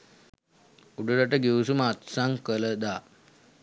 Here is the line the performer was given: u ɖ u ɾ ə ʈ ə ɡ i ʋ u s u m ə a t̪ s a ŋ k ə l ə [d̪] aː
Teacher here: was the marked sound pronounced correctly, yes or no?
yes